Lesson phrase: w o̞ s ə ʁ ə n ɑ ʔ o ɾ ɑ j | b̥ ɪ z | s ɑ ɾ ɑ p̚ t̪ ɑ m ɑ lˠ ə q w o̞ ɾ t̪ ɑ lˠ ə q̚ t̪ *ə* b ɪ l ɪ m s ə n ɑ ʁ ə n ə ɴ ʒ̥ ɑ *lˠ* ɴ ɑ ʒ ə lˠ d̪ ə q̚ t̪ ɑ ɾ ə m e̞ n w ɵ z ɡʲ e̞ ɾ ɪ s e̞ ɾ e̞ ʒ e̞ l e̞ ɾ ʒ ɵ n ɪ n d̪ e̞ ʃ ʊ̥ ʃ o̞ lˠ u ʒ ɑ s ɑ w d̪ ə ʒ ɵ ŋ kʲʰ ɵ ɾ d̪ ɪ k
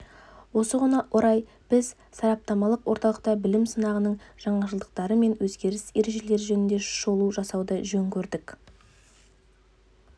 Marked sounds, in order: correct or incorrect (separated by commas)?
incorrect, incorrect